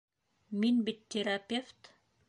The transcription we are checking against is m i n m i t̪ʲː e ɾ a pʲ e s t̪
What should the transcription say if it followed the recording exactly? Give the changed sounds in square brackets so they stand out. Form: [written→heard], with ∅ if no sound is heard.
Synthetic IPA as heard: m i n [m→b] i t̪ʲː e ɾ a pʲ e [s→f] t̪